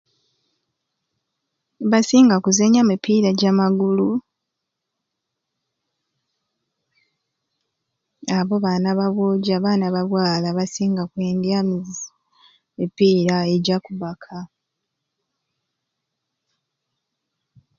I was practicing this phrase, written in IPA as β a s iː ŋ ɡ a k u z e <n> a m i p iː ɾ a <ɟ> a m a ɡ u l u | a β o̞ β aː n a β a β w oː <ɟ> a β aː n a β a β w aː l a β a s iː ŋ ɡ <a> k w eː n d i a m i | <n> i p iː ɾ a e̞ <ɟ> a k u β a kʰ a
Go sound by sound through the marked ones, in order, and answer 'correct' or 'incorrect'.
incorrect: ɲ, correct, correct, correct, incorrect: m, correct

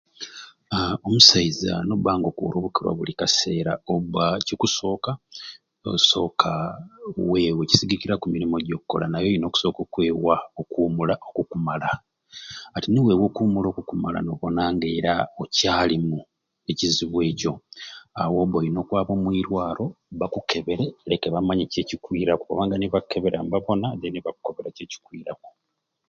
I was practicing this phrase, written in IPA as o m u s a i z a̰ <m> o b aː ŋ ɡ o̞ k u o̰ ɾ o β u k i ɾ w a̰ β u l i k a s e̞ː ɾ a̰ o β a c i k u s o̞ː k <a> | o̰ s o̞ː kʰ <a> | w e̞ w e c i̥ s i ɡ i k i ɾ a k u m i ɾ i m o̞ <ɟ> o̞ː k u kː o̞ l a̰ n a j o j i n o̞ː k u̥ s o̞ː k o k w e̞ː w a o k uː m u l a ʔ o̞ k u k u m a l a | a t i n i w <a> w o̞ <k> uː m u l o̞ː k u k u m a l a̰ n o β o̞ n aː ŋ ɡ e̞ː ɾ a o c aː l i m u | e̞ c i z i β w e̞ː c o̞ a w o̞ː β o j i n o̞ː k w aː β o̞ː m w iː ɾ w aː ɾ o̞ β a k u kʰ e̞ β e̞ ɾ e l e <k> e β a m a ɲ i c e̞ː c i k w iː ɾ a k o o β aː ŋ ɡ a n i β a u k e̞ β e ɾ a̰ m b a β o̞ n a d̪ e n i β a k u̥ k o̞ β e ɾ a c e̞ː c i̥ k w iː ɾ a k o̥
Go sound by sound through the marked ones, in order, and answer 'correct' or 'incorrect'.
incorrect: n, correct, correct, correct, incorrect: e, correct, correct

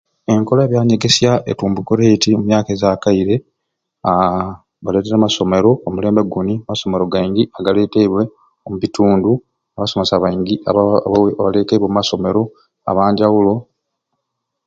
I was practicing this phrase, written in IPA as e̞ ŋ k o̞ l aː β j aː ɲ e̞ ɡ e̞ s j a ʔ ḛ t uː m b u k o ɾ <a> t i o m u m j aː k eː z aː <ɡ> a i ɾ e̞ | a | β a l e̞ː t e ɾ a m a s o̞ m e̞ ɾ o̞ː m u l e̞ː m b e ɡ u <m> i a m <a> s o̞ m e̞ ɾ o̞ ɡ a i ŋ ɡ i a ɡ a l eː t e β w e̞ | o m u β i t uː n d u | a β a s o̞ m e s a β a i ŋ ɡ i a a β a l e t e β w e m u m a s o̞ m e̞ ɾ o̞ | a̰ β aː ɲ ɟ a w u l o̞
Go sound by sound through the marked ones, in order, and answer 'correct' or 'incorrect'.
incorrect: e, incorrect: k, incorrect: n, correct

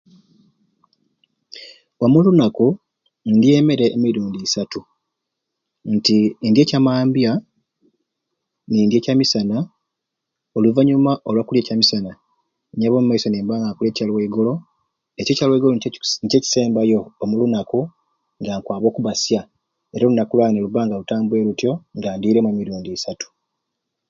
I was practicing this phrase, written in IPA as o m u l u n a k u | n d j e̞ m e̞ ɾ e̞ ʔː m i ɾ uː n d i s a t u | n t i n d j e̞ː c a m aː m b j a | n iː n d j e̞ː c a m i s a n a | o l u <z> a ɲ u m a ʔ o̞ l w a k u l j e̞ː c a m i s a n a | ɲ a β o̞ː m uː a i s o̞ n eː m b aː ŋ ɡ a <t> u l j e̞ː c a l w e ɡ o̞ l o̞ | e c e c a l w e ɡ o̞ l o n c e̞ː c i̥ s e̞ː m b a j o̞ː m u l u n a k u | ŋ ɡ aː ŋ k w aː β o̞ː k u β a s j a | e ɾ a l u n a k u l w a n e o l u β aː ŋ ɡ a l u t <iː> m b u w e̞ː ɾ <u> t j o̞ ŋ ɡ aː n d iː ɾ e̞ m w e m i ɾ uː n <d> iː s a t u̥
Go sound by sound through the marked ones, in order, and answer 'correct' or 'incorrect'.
incorrect: v, incorrect: k, incorrect: aː, correct, correct

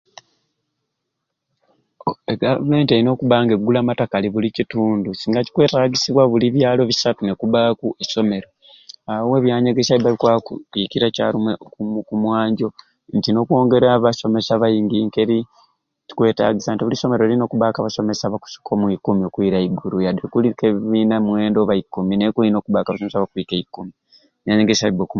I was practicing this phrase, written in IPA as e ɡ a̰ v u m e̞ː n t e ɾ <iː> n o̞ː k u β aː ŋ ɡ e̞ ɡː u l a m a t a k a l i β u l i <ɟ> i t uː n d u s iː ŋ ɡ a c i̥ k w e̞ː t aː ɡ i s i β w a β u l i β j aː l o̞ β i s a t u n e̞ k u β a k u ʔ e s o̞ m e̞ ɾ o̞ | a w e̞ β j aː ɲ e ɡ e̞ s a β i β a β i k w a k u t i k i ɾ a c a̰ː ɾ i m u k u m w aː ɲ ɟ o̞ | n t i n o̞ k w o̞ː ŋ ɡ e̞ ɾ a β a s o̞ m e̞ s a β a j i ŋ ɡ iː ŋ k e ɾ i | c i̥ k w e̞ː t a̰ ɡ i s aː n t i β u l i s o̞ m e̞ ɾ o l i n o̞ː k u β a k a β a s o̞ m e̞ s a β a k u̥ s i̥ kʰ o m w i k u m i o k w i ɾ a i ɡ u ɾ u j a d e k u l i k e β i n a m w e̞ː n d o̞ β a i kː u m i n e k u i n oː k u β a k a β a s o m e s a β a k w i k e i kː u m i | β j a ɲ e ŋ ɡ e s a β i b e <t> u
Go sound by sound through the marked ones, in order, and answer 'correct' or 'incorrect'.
incorrect: i, incorrect: c, incorrect: k

